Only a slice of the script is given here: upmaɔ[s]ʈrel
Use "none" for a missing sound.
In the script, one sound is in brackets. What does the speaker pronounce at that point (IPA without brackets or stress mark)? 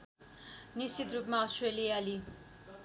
s